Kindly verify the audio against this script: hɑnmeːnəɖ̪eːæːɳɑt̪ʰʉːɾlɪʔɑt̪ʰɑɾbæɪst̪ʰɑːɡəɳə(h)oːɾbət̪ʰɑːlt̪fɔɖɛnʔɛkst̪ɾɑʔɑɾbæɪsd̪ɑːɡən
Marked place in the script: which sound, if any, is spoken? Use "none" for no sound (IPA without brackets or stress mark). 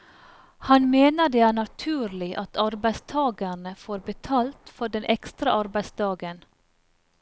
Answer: f